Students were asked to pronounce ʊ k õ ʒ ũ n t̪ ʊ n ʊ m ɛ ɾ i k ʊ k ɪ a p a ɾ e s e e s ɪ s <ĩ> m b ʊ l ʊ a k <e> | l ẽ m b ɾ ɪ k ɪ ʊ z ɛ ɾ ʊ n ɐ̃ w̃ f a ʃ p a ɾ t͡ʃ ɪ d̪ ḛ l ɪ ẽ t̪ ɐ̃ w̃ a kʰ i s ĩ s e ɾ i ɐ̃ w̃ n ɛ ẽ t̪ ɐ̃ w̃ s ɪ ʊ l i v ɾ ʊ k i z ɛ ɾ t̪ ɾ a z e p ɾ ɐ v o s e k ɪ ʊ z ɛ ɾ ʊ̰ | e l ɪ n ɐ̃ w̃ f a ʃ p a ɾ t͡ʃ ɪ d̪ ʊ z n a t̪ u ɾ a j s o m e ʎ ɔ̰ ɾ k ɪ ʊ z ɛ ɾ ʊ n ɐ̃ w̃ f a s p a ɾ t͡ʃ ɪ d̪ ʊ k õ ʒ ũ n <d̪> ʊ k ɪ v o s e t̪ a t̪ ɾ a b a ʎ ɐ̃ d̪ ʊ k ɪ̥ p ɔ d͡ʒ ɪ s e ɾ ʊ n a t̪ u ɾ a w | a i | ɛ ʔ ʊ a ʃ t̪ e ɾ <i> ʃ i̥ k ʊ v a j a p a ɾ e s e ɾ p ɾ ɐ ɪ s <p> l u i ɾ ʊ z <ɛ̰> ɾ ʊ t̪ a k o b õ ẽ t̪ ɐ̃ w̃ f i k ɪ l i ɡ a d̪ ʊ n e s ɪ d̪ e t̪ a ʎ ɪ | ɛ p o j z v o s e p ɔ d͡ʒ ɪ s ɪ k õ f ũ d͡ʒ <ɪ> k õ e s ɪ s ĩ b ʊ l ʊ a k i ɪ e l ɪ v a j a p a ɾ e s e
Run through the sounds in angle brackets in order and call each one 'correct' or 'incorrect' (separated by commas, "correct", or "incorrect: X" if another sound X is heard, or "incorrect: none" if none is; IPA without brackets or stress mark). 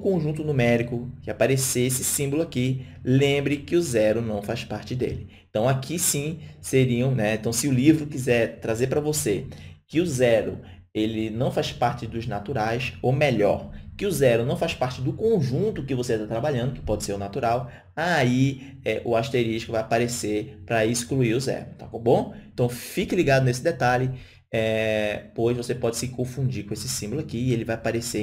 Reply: correct, incorrect: i, incorrect: t̪, correct, incorrect: k, correct, incorrect: i